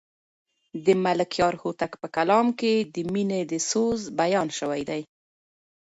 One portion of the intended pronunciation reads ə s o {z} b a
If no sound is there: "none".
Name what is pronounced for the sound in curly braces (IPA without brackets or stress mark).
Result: z